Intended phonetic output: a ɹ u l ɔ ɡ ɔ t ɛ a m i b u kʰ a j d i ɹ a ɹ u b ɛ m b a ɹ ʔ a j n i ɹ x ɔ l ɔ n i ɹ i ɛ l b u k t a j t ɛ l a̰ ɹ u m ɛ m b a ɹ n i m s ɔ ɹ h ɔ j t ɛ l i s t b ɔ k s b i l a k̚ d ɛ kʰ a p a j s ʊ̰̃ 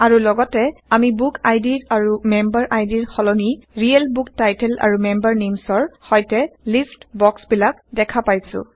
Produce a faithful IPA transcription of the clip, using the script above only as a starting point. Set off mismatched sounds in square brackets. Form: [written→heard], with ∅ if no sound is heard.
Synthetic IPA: a ɹ u l ɔ ɡ ɔ t ɛ a m i b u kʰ a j d i ɹ a ɹ u [b→m] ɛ m b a ɹ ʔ a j [n→d] i ɹ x ɔ l ɔ n i ɹ i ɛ l b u k t a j t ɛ l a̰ ɹ u m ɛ m b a ɹ n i m s ɔ ɹ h ɔ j t ɛ l i s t b ɔ k s b i l a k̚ d ɛ kʰ a p a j s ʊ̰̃